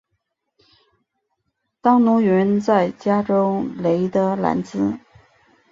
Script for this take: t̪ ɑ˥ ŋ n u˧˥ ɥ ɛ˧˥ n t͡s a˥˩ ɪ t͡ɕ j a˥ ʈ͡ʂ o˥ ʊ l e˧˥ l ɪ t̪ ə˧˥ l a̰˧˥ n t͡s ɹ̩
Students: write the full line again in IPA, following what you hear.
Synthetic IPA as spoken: t̪ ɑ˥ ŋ n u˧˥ ɥ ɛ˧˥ n t͡s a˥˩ ɪ t͡ɕ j a˥ ʈ͡ʂ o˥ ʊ l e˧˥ ɪ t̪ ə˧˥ l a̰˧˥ n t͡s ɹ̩